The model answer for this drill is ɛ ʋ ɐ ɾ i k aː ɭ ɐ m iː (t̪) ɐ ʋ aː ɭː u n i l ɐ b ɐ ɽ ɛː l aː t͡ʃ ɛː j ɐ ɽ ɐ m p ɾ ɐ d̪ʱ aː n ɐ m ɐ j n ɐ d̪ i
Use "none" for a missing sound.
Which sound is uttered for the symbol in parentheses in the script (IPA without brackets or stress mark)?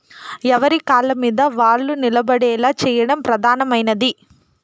d̪